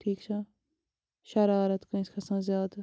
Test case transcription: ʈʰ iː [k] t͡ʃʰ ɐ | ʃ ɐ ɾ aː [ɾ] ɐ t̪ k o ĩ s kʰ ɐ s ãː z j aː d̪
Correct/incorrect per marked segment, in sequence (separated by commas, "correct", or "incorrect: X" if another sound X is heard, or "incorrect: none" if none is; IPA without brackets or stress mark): correct, correct